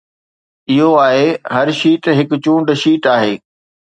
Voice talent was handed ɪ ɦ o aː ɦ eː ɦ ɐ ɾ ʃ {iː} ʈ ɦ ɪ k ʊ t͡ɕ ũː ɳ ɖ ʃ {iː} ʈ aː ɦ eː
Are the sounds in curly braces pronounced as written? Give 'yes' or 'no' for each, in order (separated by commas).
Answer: yes, yes